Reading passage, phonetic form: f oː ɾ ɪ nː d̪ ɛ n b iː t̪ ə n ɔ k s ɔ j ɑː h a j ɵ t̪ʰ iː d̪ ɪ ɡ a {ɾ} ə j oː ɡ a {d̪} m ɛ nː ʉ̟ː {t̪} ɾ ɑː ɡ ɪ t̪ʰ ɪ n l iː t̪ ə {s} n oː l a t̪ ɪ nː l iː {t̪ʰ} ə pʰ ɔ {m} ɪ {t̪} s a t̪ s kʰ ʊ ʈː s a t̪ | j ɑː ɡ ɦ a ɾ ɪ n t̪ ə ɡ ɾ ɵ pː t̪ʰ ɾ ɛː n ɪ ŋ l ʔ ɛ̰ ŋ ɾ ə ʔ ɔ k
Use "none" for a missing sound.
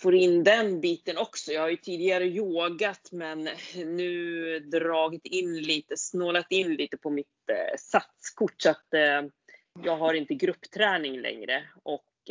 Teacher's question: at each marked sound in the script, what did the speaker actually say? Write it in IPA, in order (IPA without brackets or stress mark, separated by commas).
ɾ, t̪, d̪, s, t̪, m, t̪